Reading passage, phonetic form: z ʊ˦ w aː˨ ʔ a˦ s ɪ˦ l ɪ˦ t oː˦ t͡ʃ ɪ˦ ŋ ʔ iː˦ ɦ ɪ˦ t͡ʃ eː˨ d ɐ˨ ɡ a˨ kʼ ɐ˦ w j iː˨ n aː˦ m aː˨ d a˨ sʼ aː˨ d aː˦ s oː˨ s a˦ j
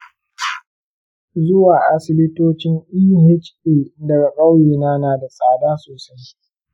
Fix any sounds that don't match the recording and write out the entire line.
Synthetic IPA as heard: z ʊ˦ w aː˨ ʔ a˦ s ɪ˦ l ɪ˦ t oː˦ t͡ʃ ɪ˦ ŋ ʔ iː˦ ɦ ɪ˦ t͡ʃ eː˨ d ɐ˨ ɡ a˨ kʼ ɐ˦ w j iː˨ n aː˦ n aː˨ d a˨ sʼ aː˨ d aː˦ s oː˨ s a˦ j